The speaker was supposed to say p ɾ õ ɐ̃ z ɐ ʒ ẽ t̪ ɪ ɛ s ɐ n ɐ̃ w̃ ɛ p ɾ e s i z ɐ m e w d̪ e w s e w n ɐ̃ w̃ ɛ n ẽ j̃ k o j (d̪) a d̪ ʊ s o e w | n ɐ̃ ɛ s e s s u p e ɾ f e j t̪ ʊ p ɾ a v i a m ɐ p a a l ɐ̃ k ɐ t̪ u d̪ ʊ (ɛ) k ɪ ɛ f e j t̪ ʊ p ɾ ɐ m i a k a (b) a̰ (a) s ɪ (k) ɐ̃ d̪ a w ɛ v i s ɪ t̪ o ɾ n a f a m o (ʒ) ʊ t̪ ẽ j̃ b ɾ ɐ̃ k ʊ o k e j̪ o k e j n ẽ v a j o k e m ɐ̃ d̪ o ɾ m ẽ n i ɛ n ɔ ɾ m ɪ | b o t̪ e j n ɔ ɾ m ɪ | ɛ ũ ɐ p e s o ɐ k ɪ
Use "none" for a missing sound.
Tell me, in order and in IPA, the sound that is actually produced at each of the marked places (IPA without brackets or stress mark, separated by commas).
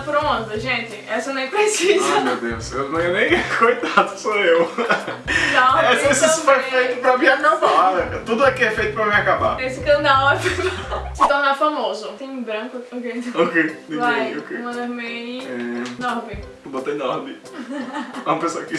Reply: t̪, ɛ, b, e, k, z